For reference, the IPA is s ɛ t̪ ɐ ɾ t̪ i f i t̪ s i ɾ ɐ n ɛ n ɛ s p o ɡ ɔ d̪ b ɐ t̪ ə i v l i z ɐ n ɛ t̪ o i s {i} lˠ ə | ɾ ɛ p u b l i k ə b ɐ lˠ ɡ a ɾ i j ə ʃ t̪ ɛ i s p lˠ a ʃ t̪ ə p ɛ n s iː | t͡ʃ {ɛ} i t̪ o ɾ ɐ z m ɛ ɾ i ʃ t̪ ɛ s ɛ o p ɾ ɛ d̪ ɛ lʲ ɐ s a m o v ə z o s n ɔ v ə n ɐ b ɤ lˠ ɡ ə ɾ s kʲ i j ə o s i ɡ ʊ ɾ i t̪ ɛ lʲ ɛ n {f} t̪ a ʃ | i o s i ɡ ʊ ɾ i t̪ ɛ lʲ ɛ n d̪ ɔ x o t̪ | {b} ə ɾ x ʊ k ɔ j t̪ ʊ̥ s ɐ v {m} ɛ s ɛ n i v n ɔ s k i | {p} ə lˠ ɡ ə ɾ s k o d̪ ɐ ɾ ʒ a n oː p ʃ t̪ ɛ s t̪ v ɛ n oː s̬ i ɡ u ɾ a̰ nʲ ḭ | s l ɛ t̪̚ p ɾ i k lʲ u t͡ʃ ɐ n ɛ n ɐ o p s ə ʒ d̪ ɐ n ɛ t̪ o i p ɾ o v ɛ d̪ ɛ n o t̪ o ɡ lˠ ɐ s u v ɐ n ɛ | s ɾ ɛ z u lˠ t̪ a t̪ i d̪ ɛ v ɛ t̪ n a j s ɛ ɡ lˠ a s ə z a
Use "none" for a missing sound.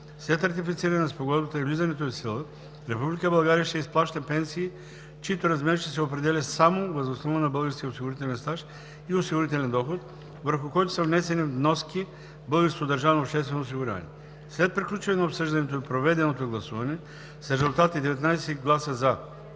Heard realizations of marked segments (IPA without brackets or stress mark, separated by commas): i, i, s, v, n, b